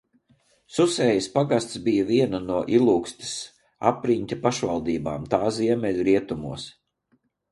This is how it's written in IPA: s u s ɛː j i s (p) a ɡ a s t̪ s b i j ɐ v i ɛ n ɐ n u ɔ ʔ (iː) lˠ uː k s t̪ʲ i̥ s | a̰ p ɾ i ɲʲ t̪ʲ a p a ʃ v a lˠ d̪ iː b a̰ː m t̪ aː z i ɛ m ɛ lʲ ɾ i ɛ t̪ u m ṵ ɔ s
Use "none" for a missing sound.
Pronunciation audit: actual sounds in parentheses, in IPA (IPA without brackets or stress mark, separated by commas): p, i